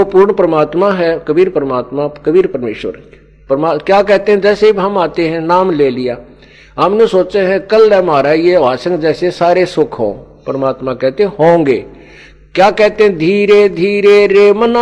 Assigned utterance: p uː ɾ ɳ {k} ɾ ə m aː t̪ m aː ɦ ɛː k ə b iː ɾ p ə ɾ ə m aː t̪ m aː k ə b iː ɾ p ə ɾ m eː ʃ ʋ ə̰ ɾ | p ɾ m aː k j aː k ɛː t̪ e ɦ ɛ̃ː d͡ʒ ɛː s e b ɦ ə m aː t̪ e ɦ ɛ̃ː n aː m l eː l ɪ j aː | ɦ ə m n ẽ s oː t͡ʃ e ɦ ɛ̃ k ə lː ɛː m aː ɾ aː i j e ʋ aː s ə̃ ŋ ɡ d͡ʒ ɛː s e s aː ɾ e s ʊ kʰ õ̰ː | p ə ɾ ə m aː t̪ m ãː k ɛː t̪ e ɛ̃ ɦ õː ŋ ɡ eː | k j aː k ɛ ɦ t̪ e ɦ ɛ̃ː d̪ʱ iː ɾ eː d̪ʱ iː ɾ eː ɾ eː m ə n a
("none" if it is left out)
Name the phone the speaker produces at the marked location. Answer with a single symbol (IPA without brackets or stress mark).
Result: p